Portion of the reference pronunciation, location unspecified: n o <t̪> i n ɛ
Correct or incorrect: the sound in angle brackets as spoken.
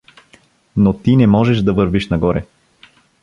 correct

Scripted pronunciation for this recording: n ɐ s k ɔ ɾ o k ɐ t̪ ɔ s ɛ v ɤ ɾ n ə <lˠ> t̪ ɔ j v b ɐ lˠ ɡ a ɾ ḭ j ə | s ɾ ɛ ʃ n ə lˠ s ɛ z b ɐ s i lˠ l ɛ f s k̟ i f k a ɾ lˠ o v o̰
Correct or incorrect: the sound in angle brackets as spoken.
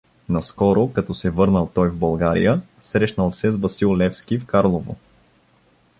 correct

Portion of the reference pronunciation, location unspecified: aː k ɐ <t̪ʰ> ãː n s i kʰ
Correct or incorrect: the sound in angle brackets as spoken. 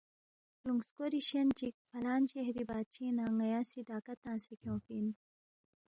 incorrect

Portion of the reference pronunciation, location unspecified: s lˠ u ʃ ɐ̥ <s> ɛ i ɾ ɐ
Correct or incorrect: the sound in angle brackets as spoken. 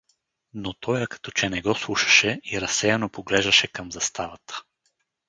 incorrect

